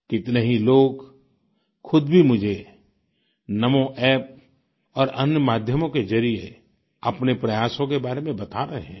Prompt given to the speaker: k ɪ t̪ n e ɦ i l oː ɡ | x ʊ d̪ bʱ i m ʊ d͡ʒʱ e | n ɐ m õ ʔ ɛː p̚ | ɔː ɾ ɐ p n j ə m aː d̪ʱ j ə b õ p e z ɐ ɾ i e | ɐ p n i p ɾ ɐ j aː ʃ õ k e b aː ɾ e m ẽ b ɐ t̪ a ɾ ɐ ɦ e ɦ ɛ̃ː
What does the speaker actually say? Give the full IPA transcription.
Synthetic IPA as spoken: k ɪ t̪ n e ɦ i l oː ɡ | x ʊ d̪ bʱ i m ʊ d͡ʒʱ e | n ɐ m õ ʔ ɛː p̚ | ɔː ɾ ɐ n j ə m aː d̪ʱ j ə m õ k e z ɐ ɾ i e | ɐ p n e p ɾ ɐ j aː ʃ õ k e b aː ɾ e m ẽ b ɐ t̪ a ɾ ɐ ɦ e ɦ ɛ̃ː

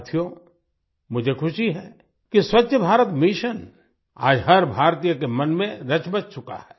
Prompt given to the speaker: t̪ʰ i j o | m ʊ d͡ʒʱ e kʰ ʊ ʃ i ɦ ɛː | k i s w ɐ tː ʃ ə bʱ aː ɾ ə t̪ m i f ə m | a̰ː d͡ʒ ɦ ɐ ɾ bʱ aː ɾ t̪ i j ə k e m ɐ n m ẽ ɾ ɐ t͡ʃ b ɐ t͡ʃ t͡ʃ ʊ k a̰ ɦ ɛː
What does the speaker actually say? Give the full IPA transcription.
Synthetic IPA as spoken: t̪ʰ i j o | m ʊ d͡ʒʱ e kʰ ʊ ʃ i ɦ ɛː | k i s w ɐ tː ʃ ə bʱ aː ɾ ə t̪ m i ʃ ə n | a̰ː d͡ʒ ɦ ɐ ɾ bʱ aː ɾ t̪ i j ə k e m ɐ n m ẽ ɾ ɐ t͡ʃ b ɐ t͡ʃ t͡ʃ ʊ k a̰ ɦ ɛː

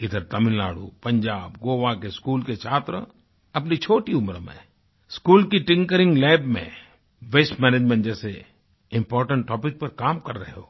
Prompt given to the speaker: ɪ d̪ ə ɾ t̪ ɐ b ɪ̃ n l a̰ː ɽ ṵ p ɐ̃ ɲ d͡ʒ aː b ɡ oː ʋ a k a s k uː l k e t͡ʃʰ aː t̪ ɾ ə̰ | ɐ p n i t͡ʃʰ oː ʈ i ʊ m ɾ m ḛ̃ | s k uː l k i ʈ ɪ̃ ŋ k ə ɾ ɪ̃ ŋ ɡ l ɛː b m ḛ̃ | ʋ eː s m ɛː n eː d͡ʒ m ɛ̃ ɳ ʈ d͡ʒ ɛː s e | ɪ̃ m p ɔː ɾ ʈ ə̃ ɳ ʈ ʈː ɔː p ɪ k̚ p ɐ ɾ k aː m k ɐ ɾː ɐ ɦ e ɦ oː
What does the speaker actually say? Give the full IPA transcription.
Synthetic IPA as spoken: ɪ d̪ ə ɾ t̪ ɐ m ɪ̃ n l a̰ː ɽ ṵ p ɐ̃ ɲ d͡ʒ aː b ɡ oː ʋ a k e s k uː l k e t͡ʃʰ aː t̪ ɾ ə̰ | ɐ p n i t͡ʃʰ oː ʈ i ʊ m ɾ m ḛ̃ | s k uː l k i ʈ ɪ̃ ŋ k ə ɾ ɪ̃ ŋ ɡ l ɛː b m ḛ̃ | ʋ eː s m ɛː n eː d͡ʒ m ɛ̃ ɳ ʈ d͡ʒ ɛː s e | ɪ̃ m p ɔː ɾ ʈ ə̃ ɳ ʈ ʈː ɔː p ɪ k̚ p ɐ ɾ k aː m k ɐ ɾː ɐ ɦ e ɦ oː

